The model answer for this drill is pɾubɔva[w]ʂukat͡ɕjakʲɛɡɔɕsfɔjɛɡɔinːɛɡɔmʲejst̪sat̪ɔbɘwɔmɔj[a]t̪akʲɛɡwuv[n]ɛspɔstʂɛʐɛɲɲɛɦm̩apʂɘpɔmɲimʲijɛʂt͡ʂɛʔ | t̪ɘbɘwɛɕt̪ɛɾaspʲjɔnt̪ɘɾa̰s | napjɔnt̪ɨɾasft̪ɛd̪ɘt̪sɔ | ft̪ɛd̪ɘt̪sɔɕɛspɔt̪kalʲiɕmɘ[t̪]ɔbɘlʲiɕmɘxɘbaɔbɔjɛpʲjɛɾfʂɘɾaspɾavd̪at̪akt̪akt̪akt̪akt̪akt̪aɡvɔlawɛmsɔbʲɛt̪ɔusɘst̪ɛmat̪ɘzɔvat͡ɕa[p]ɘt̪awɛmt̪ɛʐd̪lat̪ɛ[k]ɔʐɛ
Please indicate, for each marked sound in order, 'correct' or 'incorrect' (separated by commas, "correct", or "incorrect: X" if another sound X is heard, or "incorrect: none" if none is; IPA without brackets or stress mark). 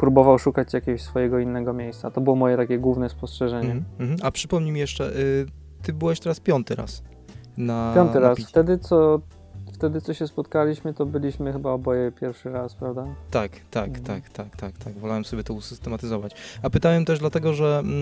correct, incorrect: ɛ, correct, correct, correct, incorrect: ɡ